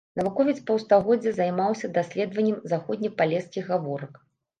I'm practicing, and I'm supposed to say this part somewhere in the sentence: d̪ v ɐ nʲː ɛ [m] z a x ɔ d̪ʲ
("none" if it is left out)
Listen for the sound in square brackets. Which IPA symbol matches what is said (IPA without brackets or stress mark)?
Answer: m